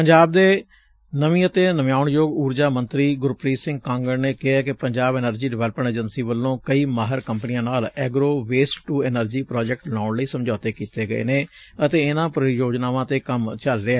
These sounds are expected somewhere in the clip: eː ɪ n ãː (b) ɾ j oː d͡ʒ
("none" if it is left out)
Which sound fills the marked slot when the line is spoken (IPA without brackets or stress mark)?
p